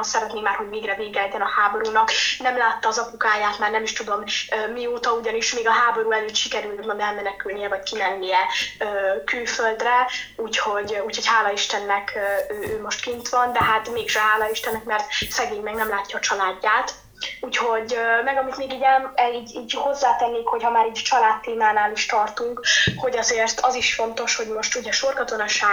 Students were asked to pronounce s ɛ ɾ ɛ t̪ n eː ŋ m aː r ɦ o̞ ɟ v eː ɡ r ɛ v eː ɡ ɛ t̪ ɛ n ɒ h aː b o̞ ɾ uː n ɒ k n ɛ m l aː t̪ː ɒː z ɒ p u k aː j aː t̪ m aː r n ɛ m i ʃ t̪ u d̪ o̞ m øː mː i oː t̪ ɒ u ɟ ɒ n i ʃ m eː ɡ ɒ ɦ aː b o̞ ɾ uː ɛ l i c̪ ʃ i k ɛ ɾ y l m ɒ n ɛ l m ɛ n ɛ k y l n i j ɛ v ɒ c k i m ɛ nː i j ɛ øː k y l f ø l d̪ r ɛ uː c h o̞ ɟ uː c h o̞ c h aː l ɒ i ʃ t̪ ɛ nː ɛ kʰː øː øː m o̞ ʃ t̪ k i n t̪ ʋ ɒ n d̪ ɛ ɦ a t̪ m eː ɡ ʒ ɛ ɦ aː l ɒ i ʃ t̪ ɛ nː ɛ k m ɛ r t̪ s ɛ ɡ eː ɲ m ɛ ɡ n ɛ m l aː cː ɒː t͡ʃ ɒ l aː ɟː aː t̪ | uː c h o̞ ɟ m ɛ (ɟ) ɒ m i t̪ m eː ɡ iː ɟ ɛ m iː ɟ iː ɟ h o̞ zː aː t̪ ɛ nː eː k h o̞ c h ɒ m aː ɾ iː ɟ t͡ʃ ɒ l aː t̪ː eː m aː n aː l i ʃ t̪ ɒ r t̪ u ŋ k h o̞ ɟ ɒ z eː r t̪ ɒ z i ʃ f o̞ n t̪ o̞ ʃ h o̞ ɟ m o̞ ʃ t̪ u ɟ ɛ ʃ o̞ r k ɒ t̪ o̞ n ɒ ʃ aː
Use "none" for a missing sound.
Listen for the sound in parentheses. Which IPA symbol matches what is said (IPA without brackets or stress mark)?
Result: ɡ